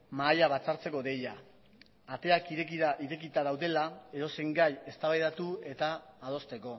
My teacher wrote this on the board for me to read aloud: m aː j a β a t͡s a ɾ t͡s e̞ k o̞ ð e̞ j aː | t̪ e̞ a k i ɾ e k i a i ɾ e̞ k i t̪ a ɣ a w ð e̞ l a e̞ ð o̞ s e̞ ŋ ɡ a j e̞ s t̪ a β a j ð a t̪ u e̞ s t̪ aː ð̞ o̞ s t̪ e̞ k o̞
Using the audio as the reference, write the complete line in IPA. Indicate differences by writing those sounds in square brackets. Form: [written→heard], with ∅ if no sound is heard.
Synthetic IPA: m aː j a β a t͡s a ɾ t͡s e̞ k o̞ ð e̞ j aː | t̪ e̞ a k i ɾ e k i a i ɾ e̞ k i t̪ a [ɣ→ð] a w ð e̞ l a e̞ ð o̞ s e̞ ŋ ɡ a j e̞ s t̪ a β a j ð a t̪ u e̞ [s→∅] t̪ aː ð̞ o̞ s t̪ e̞ k o̞